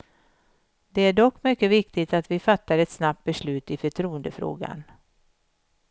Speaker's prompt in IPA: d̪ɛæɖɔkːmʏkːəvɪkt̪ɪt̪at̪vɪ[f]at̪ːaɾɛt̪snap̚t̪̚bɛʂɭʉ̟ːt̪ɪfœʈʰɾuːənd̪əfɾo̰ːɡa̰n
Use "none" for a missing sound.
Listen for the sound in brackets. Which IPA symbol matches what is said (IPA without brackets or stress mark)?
f